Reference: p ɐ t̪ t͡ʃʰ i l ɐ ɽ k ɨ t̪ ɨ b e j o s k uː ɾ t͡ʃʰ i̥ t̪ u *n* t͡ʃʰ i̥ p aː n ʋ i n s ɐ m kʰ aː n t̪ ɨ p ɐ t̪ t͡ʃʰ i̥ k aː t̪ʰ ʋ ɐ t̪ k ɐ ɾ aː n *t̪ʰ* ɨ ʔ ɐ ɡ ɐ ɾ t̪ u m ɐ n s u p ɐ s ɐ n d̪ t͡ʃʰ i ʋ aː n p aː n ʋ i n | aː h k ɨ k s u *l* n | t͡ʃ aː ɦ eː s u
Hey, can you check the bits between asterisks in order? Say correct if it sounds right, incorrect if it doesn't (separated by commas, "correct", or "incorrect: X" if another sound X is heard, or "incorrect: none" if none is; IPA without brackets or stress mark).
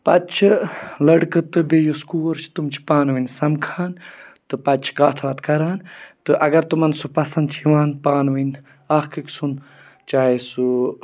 incorrect: m, incorrect: t̪, incorrect: none